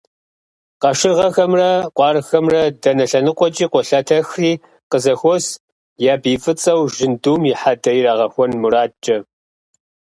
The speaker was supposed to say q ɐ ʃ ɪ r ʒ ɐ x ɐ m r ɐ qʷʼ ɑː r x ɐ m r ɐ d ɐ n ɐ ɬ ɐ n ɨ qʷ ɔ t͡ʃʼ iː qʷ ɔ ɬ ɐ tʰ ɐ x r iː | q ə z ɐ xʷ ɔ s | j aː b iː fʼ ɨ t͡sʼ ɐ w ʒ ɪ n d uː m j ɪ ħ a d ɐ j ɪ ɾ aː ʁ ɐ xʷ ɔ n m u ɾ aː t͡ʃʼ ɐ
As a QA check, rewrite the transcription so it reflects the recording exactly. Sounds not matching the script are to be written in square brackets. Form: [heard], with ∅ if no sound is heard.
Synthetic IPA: q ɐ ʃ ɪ r [ʁ] ɐ x ɐ m r ɐ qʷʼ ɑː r x ɐ m r ɐ d ɐ n ɐ ɬ ɐ n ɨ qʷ ɔ t͡ʃʼ iː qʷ ɔ ɬ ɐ tʰ ɐ x r iː | q ə z ɐ xʷ ɔ s | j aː b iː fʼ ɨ t͡sʼ ɐ w ʒ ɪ n d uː m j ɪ ħ a d ɐ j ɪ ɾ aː ʁ ɐ xʷ ɔ n m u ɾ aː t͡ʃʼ ɐ